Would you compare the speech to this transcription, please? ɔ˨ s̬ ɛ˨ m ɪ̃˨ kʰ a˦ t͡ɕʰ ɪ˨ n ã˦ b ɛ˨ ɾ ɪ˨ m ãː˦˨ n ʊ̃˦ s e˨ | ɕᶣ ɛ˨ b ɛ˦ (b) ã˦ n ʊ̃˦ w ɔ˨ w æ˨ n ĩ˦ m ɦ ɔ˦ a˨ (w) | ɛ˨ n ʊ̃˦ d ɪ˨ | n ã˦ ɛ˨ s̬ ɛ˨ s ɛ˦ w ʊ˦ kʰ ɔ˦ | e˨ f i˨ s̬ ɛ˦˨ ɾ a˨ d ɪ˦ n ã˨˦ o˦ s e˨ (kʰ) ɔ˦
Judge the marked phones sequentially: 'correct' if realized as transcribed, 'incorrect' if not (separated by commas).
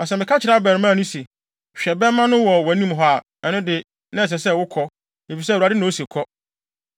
incorrect, incorrect, correct